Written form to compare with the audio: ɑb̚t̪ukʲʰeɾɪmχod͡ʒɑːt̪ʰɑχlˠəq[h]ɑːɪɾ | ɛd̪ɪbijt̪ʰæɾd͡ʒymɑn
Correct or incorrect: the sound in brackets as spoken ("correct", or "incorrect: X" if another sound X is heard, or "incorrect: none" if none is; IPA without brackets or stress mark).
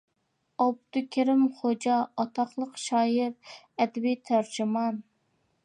incorrect: ʃ